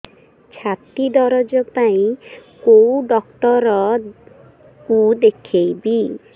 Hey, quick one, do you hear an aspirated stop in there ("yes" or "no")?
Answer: yes